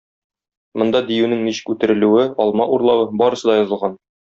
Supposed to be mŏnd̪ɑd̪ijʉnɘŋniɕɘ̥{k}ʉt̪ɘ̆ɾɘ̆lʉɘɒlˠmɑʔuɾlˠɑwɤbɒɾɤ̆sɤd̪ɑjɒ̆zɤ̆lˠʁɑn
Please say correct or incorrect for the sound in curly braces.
correct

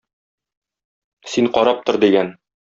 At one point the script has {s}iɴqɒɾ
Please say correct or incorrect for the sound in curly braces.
correct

